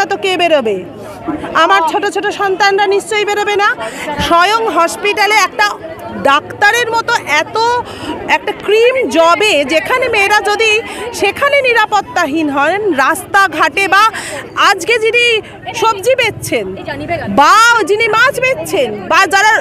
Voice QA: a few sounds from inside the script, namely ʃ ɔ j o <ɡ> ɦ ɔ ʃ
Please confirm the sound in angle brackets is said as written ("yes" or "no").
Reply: no